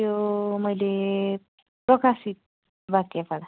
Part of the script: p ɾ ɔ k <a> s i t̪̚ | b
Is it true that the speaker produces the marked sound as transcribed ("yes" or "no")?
yes